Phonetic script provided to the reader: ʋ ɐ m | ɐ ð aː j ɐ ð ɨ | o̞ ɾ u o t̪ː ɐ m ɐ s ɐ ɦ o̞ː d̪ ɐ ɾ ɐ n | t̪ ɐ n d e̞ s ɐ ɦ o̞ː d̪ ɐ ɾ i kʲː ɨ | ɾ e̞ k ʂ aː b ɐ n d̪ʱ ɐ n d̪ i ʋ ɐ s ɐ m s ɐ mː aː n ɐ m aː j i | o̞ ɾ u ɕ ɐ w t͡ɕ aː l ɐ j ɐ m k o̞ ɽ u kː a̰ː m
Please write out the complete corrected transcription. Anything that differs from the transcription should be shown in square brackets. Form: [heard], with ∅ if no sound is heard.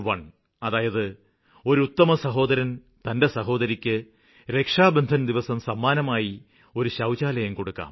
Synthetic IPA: ʋ ɐ [ɳ] | ɐ ð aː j ɐ ð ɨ | o̞ ɾ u [u] t̪ː ɐ m ɐ s ɐ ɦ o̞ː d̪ ɐ ɾ ɐ n | t̪ ɐ n d e̞ s ɐ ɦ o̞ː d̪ ɐ ɾ i kʲː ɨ | ɾ e̞ k ʂ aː b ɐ n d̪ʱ ɐ n d̪ i ʋ ɐ s ɐ m s ɐ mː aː n ɐ m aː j i | o̞ ɾ u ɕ ɐ w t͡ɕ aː l ɐ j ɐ m k o̞ ɽ u kː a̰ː m